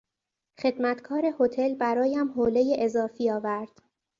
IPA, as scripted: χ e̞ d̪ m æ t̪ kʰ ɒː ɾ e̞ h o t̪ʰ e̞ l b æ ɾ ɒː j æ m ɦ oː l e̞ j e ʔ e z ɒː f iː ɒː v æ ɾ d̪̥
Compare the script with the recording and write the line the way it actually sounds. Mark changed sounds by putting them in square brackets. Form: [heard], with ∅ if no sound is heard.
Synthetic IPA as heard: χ e̞ d̪ m æ t̪ kʰ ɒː ɾ e̞ h o t̪ʰ e̞ l b æ ɾ ɒː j æ m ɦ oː l e̞ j e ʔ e z ɒː f iː ɒː v æ ɾ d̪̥